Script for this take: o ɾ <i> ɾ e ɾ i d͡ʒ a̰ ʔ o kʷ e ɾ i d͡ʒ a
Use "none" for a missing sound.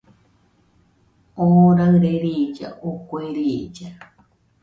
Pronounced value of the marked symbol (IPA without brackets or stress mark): a